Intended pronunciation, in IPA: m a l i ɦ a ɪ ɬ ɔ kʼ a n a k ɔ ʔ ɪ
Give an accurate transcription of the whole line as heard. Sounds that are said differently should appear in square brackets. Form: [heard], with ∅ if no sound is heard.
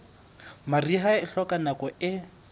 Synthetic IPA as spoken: m a [r] i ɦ a ɪ ɬ ɔ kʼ a n a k ɔ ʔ ɪ